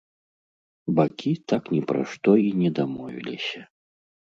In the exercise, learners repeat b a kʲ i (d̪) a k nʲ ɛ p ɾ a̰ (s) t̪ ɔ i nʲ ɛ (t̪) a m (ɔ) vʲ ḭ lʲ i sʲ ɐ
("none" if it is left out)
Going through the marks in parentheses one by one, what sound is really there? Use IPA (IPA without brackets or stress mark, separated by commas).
t̪, ʂ, d̪, ɔ